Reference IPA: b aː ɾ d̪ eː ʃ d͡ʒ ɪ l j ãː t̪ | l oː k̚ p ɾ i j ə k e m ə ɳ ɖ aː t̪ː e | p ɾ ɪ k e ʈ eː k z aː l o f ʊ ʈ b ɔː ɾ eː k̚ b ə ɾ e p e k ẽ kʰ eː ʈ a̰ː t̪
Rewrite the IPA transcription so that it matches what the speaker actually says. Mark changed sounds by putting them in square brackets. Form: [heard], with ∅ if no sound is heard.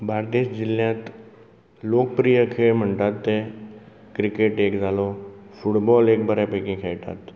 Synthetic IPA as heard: b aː ɾ d̪ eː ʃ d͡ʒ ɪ l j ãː t̪ | l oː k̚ p ɾ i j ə [kʰ] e m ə ɳ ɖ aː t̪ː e | [k] ɾ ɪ k e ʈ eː k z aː l o f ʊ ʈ b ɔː [l] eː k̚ b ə ɾ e p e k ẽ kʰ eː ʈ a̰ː t̪